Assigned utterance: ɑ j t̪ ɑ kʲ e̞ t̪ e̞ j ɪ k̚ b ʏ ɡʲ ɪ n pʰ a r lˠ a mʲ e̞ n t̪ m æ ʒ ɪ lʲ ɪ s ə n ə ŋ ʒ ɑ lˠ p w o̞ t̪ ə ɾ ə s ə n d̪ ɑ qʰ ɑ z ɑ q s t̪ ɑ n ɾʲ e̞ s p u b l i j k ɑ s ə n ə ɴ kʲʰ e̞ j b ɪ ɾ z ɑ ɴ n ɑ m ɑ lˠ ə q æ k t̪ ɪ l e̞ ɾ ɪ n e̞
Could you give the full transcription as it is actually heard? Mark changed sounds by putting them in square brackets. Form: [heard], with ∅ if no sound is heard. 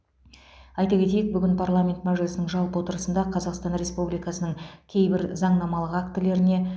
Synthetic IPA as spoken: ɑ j t̪ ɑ kʲ e̞ t̪ e̞ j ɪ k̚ b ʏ ɡʲ ɪ n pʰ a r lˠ a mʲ e̞ n t̪ m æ ʒ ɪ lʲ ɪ s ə n ə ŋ ʒ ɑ lˠ p w o̞ t̪ ə ɾ ə s ə n d̪ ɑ qʰ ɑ z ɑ q s t̪ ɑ n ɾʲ e̞ s p u b l i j k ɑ s ə n ə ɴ kʲʰ e̞ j b ɪ ɾ z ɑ ɴ n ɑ m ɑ lˠ ə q [a] k t̪ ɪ l e̞ ɾ ɪ n e̞